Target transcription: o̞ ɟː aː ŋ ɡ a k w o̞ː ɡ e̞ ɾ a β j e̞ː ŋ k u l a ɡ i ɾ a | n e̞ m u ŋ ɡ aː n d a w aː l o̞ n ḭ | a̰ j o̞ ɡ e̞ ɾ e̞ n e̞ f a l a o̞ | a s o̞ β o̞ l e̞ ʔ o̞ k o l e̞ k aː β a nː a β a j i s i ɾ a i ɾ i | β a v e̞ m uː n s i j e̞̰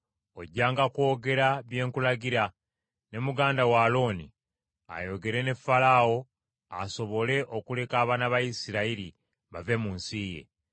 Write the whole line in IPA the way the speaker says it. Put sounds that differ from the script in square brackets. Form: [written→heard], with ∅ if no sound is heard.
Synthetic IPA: o̞ ɟː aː ŋ ɡ a k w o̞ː ɡ e̞ ɾ a β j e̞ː ŋ k u l a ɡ i ɾ a | n e̞ m u [ŋ→∅] ɡ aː n d a w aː l o̞ n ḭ | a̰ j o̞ ɡ e̞ ɾ e̞ n e̞ f a l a o̞ | a s o̞ β o̞ l e̞ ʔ o̞ k [o→u] l e̞ k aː β a [nː→n] a β a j i s i ɾ a i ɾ i | β a v e̞ m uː n s i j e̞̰